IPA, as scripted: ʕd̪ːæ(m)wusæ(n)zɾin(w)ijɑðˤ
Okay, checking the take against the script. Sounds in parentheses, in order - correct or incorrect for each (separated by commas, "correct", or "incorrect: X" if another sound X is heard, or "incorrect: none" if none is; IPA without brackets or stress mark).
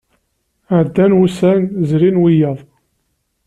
incorrect: n, correct, correct